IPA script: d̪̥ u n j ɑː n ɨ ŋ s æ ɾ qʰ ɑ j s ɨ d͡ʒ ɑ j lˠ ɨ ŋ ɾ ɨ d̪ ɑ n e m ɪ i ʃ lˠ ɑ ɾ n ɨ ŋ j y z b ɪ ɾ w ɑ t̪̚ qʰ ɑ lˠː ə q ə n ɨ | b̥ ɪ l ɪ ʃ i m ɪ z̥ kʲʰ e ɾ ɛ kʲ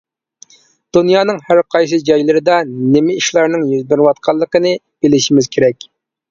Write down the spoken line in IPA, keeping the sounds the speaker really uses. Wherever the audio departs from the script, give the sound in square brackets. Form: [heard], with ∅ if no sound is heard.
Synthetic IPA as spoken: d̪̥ u n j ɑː n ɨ ŋ [h] æ ɾ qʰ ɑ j s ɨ d͡ʒ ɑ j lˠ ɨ [∅] ɾ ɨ d̪ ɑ n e m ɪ i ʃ lˠ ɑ ɾ n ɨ ŋ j y z b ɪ ɾ w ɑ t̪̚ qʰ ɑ lˠː ə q ə n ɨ | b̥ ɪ l ɪ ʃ i m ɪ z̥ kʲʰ e ɾ ɛ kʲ